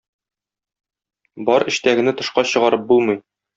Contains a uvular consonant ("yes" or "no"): yes